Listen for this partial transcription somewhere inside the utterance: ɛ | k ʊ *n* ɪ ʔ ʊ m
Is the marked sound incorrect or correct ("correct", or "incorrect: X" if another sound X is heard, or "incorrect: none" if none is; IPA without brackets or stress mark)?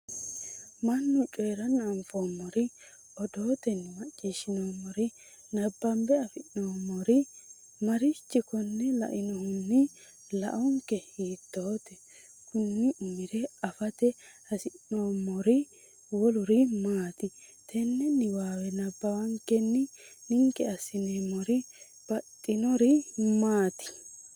incorrect: nː